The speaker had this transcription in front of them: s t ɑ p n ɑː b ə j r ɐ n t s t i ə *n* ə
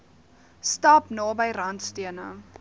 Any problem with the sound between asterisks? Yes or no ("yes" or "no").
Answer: no